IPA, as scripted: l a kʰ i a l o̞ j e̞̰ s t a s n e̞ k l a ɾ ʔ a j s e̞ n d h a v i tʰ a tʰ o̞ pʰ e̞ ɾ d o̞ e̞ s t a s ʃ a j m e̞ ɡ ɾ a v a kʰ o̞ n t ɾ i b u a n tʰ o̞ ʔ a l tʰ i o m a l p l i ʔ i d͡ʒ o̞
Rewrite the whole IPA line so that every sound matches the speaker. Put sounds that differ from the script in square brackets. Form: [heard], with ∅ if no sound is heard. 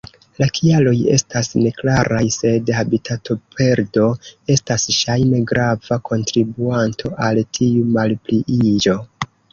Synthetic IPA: l a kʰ i a l o̞ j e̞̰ s t a s n e̞ k l a ɾ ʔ a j s e̞ [∅] d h a [b] i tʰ a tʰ o̞ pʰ e̞ ɾ d o̞ e̞ s t a s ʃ a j m e̞ ɡ ɾ a v a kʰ o̞ n t ɾ i b u a n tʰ o̞ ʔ a l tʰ i [u] m a l p l i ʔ i d͡ʒ o̞

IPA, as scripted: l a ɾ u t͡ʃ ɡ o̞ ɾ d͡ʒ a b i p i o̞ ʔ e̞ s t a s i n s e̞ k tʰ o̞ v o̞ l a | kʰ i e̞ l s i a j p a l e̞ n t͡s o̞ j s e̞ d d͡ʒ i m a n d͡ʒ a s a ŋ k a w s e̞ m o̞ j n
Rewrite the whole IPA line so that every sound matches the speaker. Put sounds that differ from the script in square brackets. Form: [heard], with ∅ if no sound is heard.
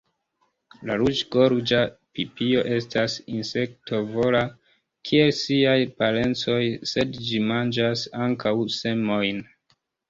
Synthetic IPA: l a ɾ u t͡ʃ ɡ o̞ ɾ d͡ʒ a [p] i p i o̞ ʔ e̞ s t a s i n s e̞ k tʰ o̞ v o̞ l a | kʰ i e̞ l s i a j p a l e̞ n t͡s o̞ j s e̞ d d͡ʒ i m a n d͡ʒ a s a ŋ k a w s e̞ m o̞ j n

